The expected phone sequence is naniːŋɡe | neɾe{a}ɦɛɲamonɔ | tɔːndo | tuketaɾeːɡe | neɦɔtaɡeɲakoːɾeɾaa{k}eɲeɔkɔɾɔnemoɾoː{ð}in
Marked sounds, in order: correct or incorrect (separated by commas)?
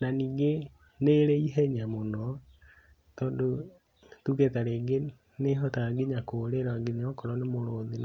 incorrect, incorrect, correct